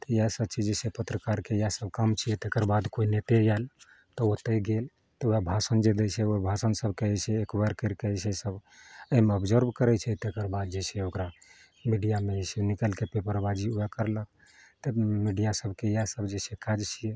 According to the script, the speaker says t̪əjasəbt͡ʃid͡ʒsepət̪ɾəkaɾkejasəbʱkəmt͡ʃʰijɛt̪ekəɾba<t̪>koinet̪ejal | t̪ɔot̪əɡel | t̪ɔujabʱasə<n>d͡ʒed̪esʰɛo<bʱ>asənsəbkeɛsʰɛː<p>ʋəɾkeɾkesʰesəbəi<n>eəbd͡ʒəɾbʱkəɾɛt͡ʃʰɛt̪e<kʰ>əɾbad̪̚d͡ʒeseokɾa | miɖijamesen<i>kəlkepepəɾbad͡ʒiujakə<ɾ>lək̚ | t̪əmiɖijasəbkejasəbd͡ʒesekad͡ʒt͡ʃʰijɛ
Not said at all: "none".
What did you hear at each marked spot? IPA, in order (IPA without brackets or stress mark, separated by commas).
d̪, n, bʱ, k, m, k, i, ɾ